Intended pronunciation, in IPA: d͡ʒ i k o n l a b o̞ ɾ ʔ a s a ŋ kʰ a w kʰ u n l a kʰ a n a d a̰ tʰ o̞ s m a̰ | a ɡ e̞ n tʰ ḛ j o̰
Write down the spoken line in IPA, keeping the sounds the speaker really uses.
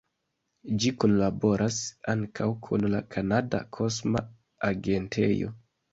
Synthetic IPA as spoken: d͡ʒ i k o n l a b o̞ ɾ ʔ a s a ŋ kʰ a w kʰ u n l a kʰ a n a d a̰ kʰ o̞ s m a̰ | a ɡ e̞ n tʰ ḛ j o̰